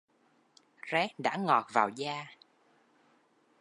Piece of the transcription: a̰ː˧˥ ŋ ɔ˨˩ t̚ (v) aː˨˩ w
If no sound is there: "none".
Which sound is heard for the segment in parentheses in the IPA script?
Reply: v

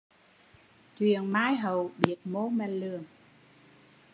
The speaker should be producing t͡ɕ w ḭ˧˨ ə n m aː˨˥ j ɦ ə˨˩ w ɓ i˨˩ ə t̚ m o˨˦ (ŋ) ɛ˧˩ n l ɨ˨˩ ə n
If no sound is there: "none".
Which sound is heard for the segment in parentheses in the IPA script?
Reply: m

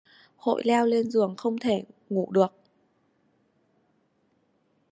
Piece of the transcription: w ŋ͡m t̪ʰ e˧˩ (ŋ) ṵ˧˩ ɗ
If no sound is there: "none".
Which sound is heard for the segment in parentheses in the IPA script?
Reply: ŋ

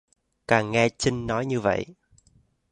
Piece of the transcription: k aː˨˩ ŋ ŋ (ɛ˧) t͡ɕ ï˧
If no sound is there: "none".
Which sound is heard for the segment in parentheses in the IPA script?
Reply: ɛ˧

